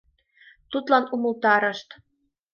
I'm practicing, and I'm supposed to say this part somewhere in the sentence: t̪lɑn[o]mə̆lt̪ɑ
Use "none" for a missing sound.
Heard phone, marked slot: u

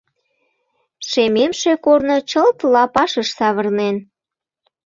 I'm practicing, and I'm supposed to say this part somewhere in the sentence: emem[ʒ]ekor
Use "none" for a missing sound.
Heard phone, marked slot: ʃ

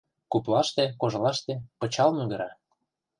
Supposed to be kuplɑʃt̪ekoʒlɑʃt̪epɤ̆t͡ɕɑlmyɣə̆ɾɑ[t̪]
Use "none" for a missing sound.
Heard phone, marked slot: none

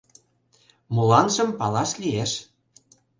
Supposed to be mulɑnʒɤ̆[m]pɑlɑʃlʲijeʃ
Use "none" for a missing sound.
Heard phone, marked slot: m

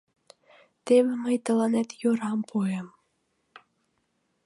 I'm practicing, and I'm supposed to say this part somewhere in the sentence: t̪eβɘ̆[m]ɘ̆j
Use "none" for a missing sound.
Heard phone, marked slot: m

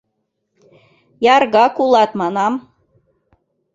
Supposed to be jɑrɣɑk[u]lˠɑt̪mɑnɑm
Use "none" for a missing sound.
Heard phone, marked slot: u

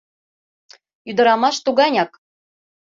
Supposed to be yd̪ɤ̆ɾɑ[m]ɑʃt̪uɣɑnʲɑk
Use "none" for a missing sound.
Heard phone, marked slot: m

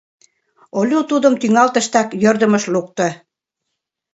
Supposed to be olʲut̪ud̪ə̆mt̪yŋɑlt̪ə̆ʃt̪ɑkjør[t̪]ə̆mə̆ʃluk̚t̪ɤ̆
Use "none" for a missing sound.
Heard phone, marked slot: d̪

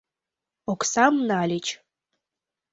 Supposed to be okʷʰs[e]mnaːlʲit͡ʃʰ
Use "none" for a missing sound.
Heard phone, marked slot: a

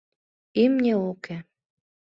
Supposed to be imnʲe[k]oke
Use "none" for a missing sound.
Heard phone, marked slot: none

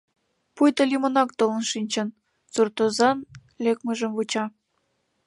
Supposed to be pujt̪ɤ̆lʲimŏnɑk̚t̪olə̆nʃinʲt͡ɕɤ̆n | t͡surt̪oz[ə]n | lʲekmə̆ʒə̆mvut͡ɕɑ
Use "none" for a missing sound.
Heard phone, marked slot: ɑ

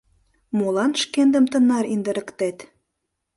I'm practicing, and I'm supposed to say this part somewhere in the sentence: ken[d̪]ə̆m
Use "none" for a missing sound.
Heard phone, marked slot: d̪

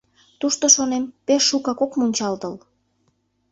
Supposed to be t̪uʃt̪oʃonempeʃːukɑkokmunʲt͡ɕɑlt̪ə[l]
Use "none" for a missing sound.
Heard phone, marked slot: l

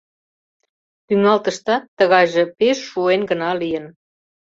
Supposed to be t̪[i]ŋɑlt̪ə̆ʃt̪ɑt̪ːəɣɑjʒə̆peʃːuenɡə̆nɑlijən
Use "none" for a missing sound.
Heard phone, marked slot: y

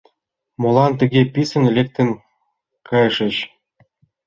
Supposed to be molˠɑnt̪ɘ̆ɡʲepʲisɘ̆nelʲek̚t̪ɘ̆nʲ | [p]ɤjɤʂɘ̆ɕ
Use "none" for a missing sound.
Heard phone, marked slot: k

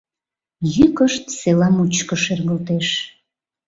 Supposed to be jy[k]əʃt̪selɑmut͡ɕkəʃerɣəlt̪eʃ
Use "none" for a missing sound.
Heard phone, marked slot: k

